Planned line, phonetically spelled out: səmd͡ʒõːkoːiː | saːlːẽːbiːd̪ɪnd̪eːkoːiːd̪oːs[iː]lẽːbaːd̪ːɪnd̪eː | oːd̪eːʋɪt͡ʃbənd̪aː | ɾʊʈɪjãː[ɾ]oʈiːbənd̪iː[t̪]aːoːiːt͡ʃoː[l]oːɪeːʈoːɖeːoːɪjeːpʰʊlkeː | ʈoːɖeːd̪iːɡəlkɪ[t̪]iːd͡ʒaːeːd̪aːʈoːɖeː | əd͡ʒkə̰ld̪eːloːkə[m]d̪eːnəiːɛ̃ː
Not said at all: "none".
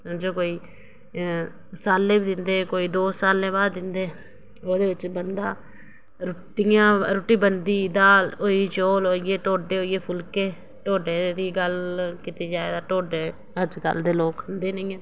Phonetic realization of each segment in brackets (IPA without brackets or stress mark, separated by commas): aː, ɾ, d̪, l, t̪, n